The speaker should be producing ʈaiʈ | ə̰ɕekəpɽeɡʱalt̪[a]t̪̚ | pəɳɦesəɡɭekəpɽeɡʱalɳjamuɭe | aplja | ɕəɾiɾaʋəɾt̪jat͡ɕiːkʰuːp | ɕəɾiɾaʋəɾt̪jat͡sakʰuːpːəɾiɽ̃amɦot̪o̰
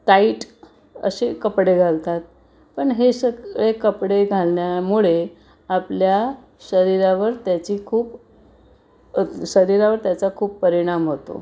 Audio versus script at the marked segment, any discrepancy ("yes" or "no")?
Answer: no